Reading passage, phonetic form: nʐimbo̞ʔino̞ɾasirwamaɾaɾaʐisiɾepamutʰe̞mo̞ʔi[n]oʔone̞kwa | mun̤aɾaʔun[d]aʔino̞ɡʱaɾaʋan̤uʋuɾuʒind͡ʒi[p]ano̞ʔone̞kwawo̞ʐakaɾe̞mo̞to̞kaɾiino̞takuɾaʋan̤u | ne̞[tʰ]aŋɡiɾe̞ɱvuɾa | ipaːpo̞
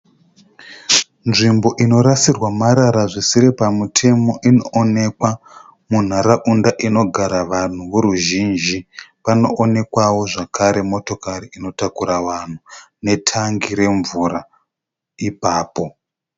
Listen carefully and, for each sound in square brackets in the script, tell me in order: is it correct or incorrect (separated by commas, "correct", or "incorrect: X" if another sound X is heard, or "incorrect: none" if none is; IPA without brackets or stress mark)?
correct, correct, correct, correct